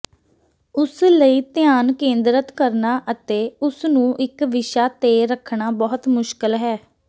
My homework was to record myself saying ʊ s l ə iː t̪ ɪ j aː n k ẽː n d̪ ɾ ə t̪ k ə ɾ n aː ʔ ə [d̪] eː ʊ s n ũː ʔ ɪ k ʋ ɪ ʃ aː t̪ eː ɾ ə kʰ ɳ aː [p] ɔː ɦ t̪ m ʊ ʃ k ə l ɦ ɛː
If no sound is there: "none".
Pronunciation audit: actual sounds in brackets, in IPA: t̪, b

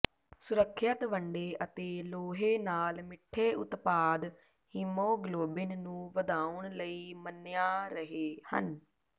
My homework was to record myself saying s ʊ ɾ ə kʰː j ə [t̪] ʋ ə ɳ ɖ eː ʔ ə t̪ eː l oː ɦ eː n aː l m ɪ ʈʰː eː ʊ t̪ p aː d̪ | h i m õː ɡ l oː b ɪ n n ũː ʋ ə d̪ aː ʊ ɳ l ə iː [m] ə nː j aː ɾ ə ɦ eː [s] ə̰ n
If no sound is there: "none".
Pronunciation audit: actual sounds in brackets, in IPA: t̪, m, h

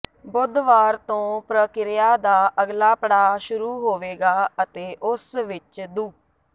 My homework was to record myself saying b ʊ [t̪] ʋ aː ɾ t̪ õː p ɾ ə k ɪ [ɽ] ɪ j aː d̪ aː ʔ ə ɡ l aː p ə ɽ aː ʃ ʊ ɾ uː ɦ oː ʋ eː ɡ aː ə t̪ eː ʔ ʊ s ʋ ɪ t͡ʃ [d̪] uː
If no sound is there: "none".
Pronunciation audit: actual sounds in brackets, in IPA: d̪, ɾ, d̪

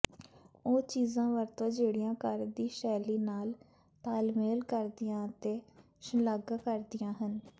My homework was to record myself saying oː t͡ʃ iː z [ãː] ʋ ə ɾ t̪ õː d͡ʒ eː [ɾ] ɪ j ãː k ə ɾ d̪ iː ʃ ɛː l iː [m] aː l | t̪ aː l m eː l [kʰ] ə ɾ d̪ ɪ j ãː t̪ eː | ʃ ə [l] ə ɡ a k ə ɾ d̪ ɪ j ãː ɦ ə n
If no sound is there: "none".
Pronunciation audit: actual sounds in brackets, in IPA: ãː, ɽ, n, k, l

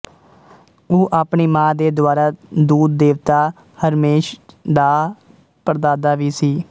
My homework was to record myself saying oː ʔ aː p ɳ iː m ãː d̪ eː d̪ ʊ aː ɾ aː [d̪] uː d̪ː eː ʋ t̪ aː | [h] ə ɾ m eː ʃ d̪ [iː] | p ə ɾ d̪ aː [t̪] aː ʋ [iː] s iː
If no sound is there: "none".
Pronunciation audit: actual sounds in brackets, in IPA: d̪, h, aː, d̪, iː

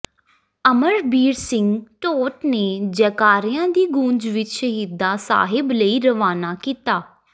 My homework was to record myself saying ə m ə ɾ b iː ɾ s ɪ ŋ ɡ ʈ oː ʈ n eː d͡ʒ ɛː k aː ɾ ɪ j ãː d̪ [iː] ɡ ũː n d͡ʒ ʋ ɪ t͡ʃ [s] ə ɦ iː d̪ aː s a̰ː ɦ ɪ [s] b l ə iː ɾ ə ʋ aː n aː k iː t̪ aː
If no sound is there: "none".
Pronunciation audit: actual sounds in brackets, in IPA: iː, ʃ, none

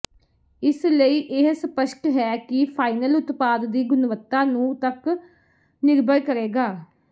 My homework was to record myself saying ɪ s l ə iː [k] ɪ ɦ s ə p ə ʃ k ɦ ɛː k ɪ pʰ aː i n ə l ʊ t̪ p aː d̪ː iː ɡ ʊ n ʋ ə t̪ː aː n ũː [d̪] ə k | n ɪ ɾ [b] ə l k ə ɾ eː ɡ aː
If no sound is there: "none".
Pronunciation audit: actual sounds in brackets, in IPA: ʔ, t̪, b

